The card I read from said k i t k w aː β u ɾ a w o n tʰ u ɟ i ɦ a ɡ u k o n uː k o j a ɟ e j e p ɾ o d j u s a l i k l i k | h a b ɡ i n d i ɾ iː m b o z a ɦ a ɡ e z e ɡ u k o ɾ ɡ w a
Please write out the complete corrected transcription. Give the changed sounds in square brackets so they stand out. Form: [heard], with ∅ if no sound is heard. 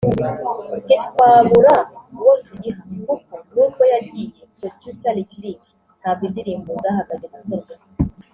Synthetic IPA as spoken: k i t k w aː β u ɾ a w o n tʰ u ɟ i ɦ a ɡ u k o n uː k o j a ɟ [i] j e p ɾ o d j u s a l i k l i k | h a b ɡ i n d i ɾ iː m b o z a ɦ a ɡ [a] z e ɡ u k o ɾ ɡ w a